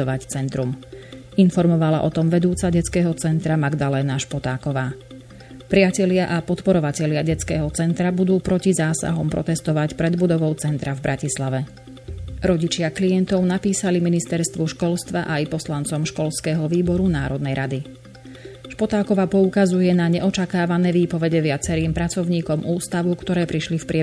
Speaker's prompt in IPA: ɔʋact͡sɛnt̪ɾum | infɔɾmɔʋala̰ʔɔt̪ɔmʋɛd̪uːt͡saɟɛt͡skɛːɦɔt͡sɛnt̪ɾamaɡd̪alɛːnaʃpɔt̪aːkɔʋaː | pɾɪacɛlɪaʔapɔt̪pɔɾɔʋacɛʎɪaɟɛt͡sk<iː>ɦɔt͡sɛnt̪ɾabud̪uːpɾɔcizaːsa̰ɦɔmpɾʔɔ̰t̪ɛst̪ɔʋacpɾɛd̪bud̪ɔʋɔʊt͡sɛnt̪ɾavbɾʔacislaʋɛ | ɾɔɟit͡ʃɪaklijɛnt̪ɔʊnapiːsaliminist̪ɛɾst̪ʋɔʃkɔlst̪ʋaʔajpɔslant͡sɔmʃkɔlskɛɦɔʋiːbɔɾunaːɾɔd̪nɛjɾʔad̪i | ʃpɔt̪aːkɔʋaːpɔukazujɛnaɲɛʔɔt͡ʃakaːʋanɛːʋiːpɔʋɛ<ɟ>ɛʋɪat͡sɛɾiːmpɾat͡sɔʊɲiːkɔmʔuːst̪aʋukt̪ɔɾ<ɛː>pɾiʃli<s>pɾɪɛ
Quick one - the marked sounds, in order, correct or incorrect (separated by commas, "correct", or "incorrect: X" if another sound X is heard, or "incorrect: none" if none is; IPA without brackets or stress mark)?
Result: incorrect: ɛː, correct, correct, incorrect: f